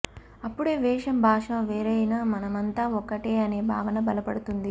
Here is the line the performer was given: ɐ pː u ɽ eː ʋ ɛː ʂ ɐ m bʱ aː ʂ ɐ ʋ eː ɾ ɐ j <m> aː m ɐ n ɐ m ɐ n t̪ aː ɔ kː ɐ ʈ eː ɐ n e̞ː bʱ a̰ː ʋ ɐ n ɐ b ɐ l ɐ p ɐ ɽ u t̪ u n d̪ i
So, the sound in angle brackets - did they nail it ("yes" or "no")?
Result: no